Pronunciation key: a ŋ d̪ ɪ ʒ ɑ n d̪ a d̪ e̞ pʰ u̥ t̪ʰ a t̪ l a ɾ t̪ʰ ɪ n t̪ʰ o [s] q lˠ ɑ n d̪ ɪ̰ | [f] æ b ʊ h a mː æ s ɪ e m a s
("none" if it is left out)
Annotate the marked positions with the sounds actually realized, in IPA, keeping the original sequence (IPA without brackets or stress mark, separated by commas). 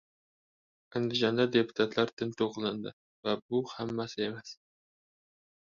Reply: none, v